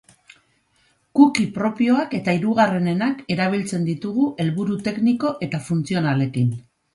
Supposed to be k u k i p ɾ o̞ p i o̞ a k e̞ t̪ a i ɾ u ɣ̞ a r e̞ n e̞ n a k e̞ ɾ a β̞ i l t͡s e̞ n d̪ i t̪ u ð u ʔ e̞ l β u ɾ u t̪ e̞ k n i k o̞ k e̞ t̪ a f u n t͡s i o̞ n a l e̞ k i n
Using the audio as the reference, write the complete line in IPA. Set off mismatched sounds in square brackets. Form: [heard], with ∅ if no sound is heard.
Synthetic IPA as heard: k u k i p ɾ o̞ p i o̞ a k e̞ t̪ a i ɾ u ɣ̞ a r e̞ n e̞ n a k e̞ ɾ a β̞ i l t͡s e̞ n d̪ i t̪ u [ɣ] u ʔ e̞ l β u ɾ u t̪ e̞ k n i k o̞ [ʔ] e̞ t̪ a f u n t͡s i o̞ n a l e̞ k i n